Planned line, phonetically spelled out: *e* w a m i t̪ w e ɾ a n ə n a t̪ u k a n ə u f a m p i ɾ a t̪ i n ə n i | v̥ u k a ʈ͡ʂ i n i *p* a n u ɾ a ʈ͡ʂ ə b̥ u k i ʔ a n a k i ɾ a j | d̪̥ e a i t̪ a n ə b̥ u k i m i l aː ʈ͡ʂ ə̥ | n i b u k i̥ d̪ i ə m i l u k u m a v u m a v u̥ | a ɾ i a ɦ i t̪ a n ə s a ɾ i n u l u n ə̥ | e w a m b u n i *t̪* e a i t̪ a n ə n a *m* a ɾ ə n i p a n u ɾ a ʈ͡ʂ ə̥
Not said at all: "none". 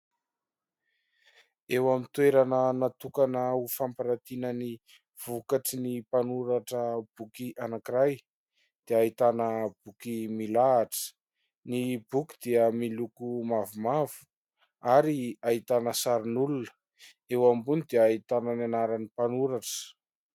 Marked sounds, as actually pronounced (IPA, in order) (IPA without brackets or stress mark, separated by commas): e, p, d̪, n